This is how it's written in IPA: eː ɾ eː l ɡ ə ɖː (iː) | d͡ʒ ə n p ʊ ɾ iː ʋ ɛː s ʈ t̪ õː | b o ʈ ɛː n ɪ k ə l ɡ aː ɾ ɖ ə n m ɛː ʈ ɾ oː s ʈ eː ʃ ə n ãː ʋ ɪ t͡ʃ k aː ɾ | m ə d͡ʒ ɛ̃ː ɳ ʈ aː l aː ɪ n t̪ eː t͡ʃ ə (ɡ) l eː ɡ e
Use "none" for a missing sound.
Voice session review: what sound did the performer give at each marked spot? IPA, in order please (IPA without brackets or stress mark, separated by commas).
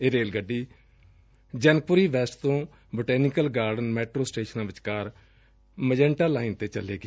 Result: iː, none